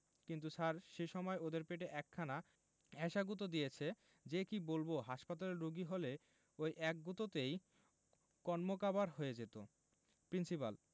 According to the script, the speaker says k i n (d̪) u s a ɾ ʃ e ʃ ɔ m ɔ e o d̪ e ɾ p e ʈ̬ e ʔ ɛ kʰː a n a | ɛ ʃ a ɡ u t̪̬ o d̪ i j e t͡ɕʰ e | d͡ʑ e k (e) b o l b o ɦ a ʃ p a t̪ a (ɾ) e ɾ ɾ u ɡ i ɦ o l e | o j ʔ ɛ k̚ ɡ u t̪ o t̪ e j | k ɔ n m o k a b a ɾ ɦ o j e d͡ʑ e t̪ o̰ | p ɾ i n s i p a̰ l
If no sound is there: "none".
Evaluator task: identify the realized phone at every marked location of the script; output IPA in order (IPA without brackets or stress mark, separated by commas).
t̪, i, l